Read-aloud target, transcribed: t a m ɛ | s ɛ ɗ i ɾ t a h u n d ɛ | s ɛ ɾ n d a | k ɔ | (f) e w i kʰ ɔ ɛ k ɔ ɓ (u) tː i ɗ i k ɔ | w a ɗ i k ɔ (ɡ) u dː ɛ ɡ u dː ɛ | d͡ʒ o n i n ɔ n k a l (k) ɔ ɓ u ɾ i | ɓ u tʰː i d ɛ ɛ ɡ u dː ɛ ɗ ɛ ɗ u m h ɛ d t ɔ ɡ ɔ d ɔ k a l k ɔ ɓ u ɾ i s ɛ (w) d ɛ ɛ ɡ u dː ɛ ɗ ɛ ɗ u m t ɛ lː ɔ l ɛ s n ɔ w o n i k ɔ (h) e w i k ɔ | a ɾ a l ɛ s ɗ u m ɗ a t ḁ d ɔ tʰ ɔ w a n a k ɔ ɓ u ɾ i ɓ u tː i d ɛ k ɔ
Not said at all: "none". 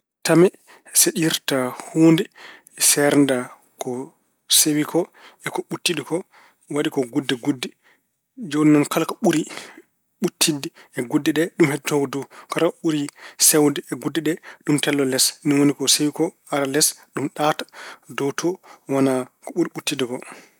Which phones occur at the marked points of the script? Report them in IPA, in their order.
s, u, ɡ, k, w, s

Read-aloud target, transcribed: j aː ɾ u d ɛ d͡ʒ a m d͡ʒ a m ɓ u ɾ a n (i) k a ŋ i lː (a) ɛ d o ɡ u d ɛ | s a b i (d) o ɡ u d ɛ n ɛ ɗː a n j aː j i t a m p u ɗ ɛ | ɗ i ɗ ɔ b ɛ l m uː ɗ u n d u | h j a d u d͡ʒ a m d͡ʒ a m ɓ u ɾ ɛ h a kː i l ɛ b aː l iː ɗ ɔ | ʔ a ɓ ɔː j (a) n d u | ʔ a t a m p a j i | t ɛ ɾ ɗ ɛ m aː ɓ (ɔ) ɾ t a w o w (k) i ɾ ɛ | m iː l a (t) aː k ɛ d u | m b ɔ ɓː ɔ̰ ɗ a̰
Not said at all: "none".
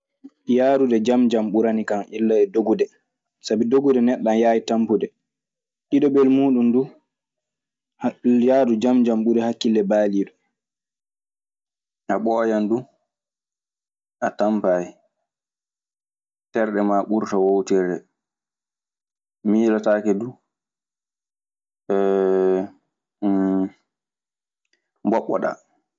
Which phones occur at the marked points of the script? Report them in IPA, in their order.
i, a, d, a, u, t, t

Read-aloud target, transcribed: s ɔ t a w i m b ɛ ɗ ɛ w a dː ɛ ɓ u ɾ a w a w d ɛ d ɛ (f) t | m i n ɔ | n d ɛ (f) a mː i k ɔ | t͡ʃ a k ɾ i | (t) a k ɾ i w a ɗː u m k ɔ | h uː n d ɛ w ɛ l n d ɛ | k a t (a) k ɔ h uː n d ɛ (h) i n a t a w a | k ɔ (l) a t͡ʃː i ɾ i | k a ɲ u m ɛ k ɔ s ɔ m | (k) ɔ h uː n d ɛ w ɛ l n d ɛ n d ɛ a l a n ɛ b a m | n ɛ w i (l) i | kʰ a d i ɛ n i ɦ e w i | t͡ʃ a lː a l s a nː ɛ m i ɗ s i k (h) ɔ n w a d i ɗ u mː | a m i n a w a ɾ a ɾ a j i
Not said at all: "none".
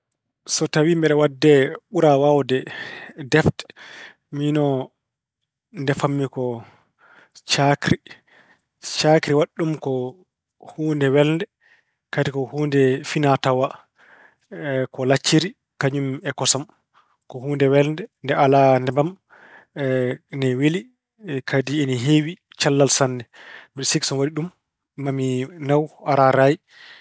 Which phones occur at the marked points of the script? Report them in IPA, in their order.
f, f, t͡ʃ, i, f, l, k, l, s

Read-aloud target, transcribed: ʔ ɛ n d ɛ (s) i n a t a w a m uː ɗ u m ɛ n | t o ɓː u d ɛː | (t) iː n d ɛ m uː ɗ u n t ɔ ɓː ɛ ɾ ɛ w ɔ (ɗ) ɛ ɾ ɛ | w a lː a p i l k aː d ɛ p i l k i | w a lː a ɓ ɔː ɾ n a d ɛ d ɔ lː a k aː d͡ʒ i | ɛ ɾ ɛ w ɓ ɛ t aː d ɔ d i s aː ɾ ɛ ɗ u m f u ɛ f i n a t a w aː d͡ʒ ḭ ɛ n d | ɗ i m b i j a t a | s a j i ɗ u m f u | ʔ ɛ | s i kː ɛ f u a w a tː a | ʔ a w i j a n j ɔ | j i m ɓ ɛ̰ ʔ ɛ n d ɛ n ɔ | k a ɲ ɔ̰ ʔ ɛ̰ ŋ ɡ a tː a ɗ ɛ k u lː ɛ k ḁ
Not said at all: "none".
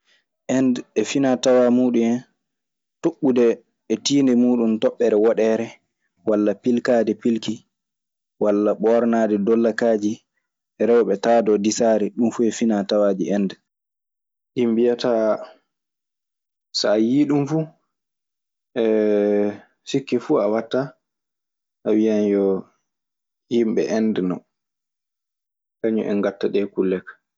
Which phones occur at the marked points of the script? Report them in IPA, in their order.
f, t, ɗ

